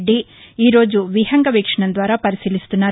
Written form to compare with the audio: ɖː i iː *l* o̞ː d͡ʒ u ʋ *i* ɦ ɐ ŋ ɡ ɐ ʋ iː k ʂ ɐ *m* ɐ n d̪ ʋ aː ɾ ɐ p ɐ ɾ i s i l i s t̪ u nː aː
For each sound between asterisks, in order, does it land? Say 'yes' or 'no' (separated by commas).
no, yes, no